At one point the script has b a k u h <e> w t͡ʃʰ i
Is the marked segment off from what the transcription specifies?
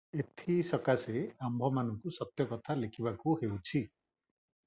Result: no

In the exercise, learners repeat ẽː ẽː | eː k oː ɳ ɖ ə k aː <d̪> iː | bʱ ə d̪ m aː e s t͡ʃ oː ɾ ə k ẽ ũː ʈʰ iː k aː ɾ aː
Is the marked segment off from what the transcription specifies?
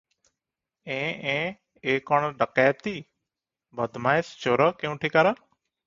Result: yes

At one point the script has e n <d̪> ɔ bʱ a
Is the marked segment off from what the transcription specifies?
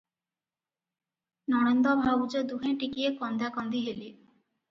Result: no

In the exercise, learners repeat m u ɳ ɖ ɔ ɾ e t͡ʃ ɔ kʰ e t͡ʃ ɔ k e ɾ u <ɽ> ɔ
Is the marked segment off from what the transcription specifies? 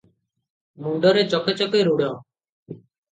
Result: no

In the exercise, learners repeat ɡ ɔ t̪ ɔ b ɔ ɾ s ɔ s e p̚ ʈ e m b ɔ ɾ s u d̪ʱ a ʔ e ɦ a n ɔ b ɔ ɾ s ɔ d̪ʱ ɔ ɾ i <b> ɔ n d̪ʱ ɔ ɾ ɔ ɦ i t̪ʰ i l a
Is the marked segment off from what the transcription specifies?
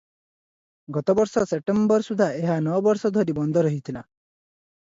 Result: no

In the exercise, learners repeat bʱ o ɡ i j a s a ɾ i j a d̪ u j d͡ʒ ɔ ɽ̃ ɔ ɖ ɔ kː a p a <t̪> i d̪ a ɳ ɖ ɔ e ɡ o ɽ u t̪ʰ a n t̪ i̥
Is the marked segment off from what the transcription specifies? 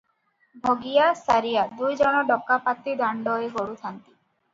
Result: no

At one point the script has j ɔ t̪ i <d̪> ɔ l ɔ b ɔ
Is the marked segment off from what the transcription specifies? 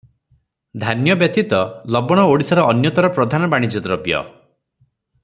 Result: yes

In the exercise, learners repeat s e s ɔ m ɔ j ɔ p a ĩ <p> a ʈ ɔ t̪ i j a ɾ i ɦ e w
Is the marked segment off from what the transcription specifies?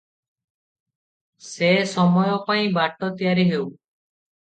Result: yes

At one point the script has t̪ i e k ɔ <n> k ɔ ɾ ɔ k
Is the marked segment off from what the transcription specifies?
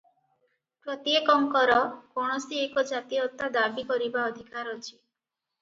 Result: yes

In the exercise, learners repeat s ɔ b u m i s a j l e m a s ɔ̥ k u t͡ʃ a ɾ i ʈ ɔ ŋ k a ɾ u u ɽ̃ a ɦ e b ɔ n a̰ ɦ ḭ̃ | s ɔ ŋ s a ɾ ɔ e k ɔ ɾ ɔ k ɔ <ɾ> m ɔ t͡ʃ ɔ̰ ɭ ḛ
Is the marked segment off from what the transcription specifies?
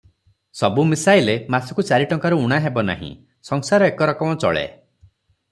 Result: yes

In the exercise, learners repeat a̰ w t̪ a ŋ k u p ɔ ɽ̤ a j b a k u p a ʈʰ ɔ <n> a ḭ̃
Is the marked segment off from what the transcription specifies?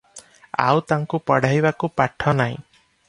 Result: no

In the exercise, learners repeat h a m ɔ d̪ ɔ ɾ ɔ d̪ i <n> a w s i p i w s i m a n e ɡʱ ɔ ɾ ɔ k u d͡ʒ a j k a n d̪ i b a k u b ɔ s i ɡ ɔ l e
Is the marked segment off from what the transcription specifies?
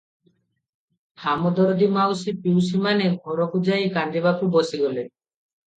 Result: yes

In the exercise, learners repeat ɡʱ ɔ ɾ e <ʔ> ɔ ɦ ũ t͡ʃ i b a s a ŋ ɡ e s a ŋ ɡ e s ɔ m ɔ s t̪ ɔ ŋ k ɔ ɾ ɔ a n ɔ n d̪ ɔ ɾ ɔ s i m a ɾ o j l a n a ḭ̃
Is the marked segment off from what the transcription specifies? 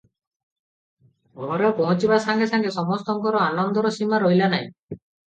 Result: yes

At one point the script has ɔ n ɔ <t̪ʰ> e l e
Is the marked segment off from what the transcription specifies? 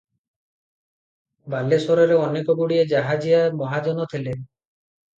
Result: no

